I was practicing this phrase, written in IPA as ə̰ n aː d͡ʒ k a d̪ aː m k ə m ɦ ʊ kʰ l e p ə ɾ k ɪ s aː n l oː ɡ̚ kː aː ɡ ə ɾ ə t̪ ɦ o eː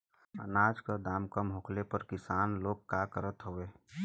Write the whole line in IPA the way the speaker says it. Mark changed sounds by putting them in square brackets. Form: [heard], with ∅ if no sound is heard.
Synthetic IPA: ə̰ n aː d͡ʒ k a d̪ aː m k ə m ɦ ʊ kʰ l e p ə ɾ k ɪ s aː n l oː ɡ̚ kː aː [k] ə ɾ ə t̪ ɦ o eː